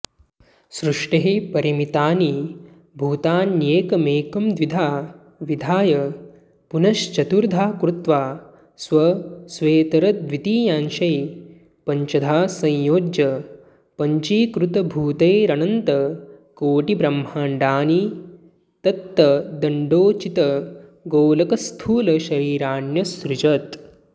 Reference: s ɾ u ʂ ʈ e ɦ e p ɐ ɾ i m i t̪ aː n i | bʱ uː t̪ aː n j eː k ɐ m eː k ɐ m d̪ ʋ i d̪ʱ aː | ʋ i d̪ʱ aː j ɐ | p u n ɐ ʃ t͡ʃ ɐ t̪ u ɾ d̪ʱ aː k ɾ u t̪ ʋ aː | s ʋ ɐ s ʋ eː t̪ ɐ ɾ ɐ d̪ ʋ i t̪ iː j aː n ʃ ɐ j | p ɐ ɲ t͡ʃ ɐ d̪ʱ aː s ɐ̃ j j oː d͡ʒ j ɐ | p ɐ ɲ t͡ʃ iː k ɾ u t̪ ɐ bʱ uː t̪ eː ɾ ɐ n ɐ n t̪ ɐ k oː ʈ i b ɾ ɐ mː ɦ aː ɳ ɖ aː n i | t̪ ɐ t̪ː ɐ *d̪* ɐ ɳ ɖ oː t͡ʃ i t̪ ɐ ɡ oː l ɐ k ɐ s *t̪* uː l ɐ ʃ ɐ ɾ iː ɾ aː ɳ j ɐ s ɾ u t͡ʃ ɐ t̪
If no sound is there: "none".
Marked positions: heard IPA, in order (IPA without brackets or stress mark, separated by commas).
d̪, t̪ʰ